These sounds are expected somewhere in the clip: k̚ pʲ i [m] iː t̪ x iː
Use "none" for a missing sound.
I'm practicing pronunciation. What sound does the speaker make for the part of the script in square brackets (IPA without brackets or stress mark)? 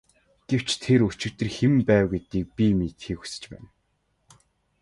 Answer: m